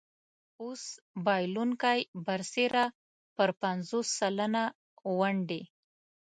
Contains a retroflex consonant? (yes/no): yes